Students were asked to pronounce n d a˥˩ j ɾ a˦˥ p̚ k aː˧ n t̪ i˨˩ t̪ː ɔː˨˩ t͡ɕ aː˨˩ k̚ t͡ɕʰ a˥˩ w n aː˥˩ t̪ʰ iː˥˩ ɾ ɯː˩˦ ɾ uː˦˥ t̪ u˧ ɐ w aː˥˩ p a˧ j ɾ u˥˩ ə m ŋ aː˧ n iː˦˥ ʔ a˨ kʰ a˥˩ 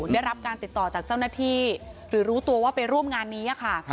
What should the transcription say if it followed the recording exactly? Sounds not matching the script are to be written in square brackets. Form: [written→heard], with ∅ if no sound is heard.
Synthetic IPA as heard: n d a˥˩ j ɾ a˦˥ p̚ k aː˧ n t̪ i˨˩ t̪ː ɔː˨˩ t͡ɕ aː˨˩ k̚ [t͡ɕʰ→t͡ɕ] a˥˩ w n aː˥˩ t̪ʰ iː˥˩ ɾ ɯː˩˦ ɾ uː˦˥ t̪ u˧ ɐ w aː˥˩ p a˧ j ɾ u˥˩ ə m ŋ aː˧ [n→nː] iː˦˥ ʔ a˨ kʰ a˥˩